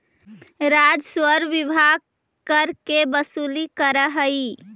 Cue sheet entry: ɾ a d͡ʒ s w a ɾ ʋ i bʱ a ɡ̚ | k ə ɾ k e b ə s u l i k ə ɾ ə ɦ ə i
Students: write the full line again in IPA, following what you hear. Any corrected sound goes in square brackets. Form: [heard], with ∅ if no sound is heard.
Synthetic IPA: ɾ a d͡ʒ s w [ə] ɾ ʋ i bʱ a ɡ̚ | k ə ɾ k e b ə s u l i k ə ɾ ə ɦ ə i